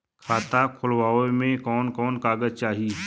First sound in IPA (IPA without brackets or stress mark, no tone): kʰ